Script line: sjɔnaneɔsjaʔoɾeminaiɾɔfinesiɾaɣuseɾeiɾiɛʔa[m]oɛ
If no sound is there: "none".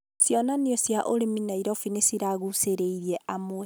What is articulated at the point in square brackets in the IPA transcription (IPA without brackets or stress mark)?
m